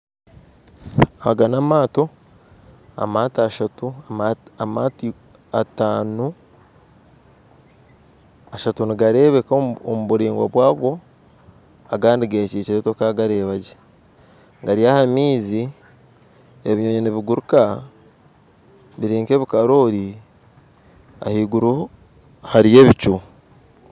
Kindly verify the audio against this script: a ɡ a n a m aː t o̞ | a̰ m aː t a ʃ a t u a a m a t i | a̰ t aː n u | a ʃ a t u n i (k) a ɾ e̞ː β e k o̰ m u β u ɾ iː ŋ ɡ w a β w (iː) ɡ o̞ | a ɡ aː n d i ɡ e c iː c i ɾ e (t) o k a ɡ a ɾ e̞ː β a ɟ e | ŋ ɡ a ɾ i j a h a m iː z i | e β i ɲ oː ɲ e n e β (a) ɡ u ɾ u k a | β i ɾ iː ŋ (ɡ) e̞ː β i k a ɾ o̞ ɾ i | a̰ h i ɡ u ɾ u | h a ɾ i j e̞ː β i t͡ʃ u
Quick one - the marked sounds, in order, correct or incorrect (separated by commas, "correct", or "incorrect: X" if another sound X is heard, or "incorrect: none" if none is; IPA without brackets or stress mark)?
incorrect: ɡ, incorrect: aː, correct, incorrect: i, incorrect: k